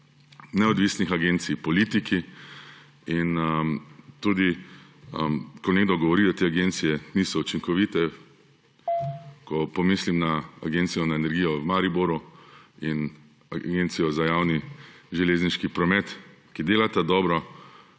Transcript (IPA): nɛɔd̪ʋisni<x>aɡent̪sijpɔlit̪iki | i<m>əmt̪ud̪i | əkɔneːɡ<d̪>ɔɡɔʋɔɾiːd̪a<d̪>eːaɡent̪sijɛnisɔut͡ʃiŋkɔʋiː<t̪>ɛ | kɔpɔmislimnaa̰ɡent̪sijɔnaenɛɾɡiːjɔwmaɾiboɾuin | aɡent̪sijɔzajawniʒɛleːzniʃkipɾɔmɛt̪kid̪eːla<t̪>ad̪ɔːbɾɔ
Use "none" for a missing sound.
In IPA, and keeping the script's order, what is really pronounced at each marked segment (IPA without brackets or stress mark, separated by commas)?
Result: x, n, d̪, t̪, t̪, t̪